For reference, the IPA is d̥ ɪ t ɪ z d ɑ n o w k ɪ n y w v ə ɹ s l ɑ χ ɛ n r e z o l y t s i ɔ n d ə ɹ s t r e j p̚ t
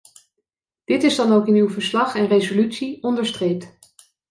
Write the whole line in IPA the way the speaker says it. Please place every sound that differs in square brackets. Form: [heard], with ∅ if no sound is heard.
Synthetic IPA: d̥ ɪ t ɪ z d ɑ n o w k ɪ n y w v ə ɹ s l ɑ χ ɛ n r e z o l y t s i ɔ n d ə ɹ s t r e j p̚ t

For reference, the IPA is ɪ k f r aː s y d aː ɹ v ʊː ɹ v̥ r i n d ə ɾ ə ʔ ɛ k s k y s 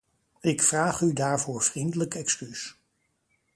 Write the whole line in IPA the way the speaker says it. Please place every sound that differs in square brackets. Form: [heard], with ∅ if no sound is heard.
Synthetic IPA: ɪ k f r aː [χ] y d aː ɹ v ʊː ɹ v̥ r i n d ə [l] ə [k] ɛ k s k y s

